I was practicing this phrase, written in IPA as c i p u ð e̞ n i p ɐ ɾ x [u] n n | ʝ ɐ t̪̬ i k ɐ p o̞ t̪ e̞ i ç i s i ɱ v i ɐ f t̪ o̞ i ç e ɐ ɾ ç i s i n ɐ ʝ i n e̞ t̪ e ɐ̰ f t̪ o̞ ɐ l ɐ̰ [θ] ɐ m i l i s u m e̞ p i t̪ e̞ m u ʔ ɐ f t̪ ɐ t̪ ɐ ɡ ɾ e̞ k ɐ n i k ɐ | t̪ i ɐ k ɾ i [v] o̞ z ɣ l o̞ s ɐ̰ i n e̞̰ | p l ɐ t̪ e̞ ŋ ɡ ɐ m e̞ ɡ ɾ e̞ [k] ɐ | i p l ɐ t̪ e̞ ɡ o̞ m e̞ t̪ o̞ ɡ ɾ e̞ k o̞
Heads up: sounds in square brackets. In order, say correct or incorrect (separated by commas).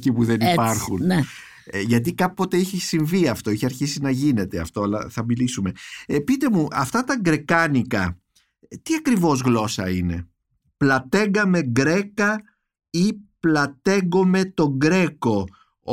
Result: correct, correct, correct, correct